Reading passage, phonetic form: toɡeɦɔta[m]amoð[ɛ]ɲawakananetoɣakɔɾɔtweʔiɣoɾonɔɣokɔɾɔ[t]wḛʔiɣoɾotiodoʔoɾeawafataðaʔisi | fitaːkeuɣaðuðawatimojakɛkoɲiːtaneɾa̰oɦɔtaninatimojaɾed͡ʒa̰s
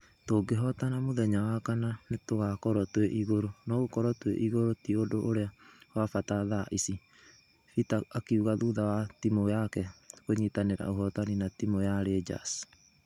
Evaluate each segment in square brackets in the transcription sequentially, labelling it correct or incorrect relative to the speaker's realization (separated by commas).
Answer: incorrect, correct, correct